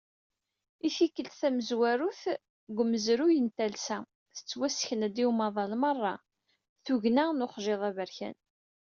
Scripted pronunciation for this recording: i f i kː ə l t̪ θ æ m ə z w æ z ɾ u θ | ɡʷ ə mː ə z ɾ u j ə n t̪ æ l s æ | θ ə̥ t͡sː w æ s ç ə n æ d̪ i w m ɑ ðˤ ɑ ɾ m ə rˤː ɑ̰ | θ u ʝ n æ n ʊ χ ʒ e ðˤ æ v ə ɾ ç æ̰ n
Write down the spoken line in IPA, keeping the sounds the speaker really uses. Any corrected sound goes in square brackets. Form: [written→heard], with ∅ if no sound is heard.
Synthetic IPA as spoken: i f i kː ə l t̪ θ æ m ə z w æ [z→∅] ɾ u θ | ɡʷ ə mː ə z ɾ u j ə n t̪ æ l s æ | θ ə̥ t͡sː w æ s ç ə n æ d̪ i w m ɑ ðˤ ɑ [ɾ→l] m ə rˤː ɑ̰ | θ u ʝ n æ n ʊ χ ʒ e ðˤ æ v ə ɾ ç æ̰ n